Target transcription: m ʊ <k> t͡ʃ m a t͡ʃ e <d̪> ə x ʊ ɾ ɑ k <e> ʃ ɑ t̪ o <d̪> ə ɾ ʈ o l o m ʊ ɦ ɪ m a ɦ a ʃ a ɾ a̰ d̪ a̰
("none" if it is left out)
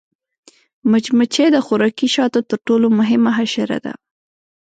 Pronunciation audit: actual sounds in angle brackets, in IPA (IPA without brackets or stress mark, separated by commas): none, d̪, i, t̪